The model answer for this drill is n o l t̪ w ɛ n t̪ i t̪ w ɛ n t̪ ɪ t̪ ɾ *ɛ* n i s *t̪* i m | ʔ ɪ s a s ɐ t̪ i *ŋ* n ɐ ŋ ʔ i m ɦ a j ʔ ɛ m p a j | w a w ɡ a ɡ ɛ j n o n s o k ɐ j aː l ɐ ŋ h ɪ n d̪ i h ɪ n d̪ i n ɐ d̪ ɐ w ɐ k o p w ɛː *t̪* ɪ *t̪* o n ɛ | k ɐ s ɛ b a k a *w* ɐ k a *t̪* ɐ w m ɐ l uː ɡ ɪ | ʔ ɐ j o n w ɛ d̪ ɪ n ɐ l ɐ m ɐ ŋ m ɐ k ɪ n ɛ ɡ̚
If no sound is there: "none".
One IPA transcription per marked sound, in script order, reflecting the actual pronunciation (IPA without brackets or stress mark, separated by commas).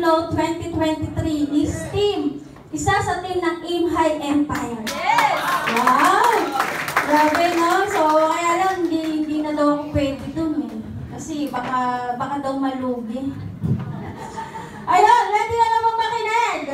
i, t̪, m, d̪, d̪, b, d̪